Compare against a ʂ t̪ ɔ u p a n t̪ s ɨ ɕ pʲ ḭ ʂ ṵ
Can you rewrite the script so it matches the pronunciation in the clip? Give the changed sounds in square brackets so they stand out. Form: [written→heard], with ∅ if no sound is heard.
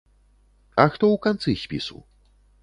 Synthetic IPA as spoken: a [ʂ→x] t̪ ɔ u [p→k] a n t̪ s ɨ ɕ pʲ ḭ [ʂ→s] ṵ